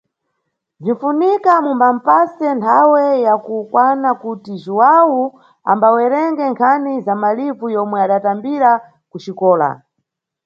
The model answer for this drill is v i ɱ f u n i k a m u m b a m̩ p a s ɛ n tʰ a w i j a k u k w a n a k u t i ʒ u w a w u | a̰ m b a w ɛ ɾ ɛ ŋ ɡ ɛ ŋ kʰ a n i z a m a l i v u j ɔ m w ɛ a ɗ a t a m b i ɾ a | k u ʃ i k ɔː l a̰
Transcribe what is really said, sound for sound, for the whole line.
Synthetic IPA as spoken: v i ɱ f u n i k a m u m b a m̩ p a s ɛ n tʰ a w ɛ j a k u k w a n a k u t i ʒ u w a w u | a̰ m b a w ɛ ɾ ɛ ŋ ɡ ɛ ŋ kʰ a n i z a m a l i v u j ɔ m w ɛ a ɗ a t a m b i ɾ a | k u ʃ i k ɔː l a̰